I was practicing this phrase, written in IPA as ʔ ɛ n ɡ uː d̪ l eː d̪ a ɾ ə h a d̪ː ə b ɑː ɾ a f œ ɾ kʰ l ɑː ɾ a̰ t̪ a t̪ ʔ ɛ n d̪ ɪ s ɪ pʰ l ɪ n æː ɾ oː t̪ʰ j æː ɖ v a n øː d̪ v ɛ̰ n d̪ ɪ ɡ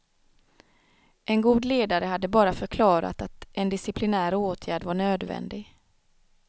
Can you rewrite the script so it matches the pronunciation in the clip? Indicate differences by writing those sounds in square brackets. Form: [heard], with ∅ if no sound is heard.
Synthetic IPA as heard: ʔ ɛ n ɡ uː d̪ l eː d̪ a ɾ ə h a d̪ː ə b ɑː ɾ a f œ ɾ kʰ l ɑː ɾ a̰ t̪ a t̪ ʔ ɛ n d̪ ɪ s ɪ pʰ l ɪ n æː ɾ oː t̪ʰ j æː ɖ v a [ɳ] øː d̪ v ɛ̰ n d̪ ɪ ɡ